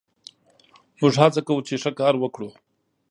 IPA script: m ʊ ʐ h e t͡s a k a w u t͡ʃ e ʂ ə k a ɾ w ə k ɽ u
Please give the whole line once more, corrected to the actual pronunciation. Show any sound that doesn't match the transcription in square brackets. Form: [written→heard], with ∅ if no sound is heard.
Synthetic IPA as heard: m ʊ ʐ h [e→a] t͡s a k a w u t͡ʃ e ʂ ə k [a→ɑ] ɾ w ə k ɽ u